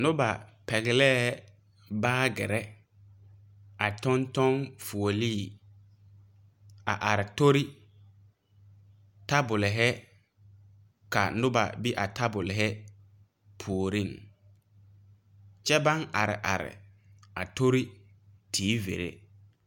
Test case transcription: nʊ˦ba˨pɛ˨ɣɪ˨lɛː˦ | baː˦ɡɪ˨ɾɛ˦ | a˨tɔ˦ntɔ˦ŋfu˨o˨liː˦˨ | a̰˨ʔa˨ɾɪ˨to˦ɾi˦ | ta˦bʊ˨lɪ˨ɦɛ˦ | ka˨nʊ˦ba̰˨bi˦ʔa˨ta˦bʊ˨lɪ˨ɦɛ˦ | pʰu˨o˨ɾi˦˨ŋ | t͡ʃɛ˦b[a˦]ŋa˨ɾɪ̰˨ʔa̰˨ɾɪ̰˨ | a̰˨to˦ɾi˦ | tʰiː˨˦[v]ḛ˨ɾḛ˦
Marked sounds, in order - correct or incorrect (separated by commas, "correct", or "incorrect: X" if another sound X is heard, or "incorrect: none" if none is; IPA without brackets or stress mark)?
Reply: correct, correct